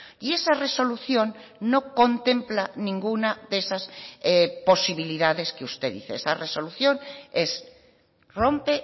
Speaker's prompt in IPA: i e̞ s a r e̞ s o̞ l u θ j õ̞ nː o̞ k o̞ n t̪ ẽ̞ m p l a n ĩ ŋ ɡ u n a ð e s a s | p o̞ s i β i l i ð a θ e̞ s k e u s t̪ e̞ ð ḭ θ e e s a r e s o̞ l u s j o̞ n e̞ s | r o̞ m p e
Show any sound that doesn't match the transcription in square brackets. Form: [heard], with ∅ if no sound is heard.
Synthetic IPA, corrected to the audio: i e̞ s a r e̞ s o̞ l u θ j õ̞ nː o̞ k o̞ n t̪ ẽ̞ m p l a n ĩ ŋ ɡ u n a ð e s a s | p o̞ s i β i l i ð a [ð] e̞ s k e u s t̪ e̞ ð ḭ θ e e s a r e s o̞ l u [θ] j o̞ n e̞ s | r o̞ m p e

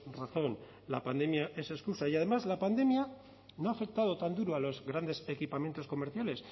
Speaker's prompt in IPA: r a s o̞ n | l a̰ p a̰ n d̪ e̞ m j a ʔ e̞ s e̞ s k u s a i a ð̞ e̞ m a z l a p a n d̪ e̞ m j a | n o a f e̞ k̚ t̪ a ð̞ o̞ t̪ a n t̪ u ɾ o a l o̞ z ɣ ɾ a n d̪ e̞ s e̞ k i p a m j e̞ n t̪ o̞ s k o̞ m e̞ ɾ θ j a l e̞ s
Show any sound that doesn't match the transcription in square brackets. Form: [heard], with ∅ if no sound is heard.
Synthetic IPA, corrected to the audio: r a [θ] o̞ n | l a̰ p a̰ n d̪ e̞ m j a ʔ e̞ s e̞ s k u s a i a ð̞ e̞ m a z l a p a n d̪ e̞ m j a | n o a f e̞ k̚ t̪ a ð̞ o̞ t̪ a n [d̪] u ɾ o a l o̞ z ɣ ɾ a n d̪ e̞ s e̞ k i p a m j e̞ n t̪ o̞ s k o̞ m e̞ ɾ θ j a l e̞ s

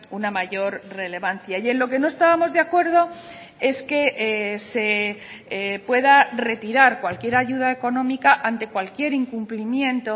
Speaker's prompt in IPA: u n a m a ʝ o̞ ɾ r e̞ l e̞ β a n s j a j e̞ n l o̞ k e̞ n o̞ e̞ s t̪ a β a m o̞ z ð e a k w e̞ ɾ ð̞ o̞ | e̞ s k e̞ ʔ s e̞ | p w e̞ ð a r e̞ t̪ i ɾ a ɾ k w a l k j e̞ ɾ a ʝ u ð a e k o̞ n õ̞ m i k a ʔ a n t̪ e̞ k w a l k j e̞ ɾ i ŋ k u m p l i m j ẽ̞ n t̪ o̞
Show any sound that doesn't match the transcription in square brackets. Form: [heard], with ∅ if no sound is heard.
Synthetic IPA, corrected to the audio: u n a m a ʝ o̞ ɾ r e̞ l e̞ β a n [θ] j a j e̞ n l o̞ k e̞ n o̞ e̞ s t̪ a β a m o̞ z ð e a k w e̞ ɾ ð̞ o̞ | e̞ s k e̞ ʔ s e̞ | p w e̞ ð a r e̞ t̪ i ɾ a ɾ k w a l k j e̞ ɾ a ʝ u ð a e k o̞ n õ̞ m i k a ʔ a n t̪ e̞ k w a l k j e̞ ɾ i ŋ k u m p l i m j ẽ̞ n t̪ o̞

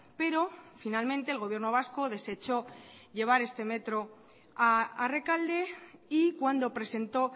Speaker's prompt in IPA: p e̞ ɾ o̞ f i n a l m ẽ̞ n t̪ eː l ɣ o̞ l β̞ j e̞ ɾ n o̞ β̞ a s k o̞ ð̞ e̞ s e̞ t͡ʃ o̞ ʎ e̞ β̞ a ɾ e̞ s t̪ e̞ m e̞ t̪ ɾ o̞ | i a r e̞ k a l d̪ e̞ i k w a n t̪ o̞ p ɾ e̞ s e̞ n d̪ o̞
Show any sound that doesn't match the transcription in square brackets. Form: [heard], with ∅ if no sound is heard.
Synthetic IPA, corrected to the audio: p e̞ ɾ o̞ f i n a l m ẽ̞ n t̪ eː l ɣ o̞ [∅] β̞ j e̞ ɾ n o̞ β̞ a s k o̞ ð̞ e̞ s e̞ t͡ʃ o̞ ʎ e̞ β̞ a ɾ e̞ s t̪ e̞ m e̞ t̪ ɾ o̞ | [a] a r e̞ k a l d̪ e̞ i k w a n [d̪] o̞ p ɾ e̞ s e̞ n [t̪] o̞

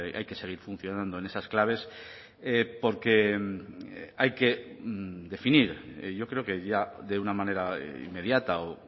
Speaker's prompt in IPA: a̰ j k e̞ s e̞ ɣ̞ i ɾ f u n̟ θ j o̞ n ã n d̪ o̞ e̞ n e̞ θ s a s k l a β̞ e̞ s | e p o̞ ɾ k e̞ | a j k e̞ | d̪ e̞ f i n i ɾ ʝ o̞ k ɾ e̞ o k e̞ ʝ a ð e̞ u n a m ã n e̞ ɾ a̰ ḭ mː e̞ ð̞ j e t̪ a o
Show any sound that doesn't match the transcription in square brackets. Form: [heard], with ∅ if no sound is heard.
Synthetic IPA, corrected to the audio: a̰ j k e̞ s e̞ ɣ̞ i ɾ f u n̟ θ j o̞ n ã n d̪ o̞ e̞ n e̞ [∅] s a s k l a β̞ e̞ s | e p o̞ ɾ k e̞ | a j k e̞ | d̪ e̞ f i n i ɾ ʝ o̞ k ɾ e̞ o k e̞ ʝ a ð e̞ u n a m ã n e̞ ɾ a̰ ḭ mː e̞ ð̞ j [a] t̪ a o

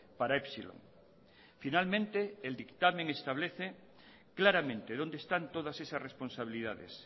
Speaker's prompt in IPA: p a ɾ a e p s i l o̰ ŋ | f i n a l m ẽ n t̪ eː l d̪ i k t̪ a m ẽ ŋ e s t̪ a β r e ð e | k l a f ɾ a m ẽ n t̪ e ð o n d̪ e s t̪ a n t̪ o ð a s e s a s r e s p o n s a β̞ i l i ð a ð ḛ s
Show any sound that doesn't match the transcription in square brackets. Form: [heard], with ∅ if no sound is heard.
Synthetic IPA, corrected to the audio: p a ɾ a e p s i l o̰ ŋ | f i n a l m ẽ n t̪ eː l d̪ i k t̪ a m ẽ ŋ e s t̪ a β [l] e [θ] e | k l a [∅] ɾ a m ẽ n t̪ e ð o n d̪ e s t̪ a n t̪ o ð a s e s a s r e s p o n s a β̞ i l i ð a ð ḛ s

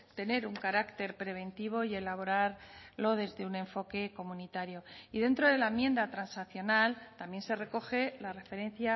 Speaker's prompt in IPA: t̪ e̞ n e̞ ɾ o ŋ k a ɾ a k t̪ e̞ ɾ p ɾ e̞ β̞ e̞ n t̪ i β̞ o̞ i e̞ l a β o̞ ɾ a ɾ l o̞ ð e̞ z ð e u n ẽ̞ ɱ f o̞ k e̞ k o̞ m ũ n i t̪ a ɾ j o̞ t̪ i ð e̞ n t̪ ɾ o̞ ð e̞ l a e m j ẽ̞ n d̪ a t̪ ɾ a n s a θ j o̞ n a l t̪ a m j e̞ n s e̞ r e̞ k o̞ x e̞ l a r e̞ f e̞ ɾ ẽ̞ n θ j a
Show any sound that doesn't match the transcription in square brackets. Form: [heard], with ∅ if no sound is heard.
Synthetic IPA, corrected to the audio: t̪ e̞ n e̞ ɾ [u] ŋ k a ɾ a k t̪ e̞ ɾ p ɾ e̞ β̞ e̞ n t̪ i β̞ o̞ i e̞ l a β o̞ ɾ a ɾ l o̞ ð e̞ z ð e u n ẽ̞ ɱ f o̞ k e̞ k o̞ m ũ n i t̪ a ɾ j o̞ [∅] i ð e̞ n t̪ ɾ o̞ ð e̞ l a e m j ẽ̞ n d̪ a t̪ ɾ a n s a θ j o̞ n a l t̪ a m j e̞ n s e̞ r e̞ k o̞ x e̞ l a r e̞ f e̞ ɾ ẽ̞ n θ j a

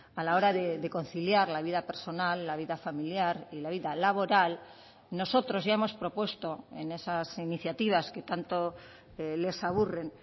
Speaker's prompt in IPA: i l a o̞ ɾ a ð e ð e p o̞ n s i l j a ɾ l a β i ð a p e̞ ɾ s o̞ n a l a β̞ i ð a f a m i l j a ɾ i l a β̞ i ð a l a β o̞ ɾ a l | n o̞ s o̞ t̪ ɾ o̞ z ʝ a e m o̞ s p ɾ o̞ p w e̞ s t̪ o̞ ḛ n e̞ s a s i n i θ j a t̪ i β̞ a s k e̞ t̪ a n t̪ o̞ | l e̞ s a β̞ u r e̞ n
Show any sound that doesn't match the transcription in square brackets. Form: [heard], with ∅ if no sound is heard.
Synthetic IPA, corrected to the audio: [a] l a o̞ ɾ a ð e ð e [k] o̞ n [θ] i l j a ɾ l a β i ð a p e̞ ɾ s o̞ n a [lː] a β̞ i ð a f a m i l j a ɾ i l a β̞ i ð a l a β o̞ ɾ a l | n o̞ s o̞ t̪ ɾ o̞ z ʝ a e m o̞ s p ɾ o̞ p w e̞ s t̪ o̞ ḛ n e̞ s a s i n i θ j a t̪ i β̞ a s k e̞ t̪ a n t̪ o̞ | l e̞ s a β̞ u r e̞ n

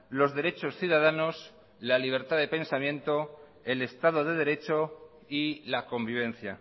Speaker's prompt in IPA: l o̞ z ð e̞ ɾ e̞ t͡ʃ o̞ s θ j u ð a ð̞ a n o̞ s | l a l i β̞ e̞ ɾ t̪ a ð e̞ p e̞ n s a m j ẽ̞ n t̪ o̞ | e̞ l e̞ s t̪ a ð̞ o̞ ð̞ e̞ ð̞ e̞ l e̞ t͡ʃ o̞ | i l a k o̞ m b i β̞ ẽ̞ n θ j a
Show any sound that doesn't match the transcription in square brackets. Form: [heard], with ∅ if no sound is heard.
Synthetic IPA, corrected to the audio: l o̞ z ð e̞ ɾ e̞ t͡ʃ o̞ s θ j u ð a ð̞ a n o̞ s | l a l i β̞ e̞ ɾ t̪ a ð e̞ p e̞ n s a m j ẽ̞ n t̪ o̞ | e̞ l e̞ s t̪ a ð̞ o̞ ð̞ e̞ ð̞ e̞ [ɾ] e̞ t͡ʃ o̞ | i l a k o̞ m b i β̞ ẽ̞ n θ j a

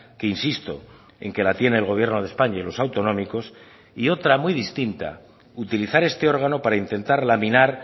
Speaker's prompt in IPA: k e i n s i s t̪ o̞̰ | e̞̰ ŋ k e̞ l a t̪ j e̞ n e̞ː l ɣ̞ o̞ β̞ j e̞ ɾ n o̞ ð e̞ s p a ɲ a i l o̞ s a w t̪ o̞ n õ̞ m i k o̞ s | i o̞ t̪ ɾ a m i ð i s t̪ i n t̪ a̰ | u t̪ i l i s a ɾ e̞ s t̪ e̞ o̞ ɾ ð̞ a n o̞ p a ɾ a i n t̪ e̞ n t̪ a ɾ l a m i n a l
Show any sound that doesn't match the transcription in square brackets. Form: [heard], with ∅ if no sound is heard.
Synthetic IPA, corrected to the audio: k e i n s i s t̪ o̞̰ | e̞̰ ŋ k e̞ l a t̪ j e̞ n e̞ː l ɣ̞ o̞ β̞ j e̞ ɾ n o̞ ð e̞ s p a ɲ a i l o̞ s a w t̪ o̞ n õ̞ m i k o̞ s | i o̞ t̪ ɾ a m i ð i s t̪ i n t̪ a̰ | u t̪ i l i [θ] a ɾ e̞ s t̪ e̞ o̞ ɾ [ɣ̞] a n o̞ p a ɾ a i n t̪ e̞ n t̪ a ɾ l a m i n a [ɾ]

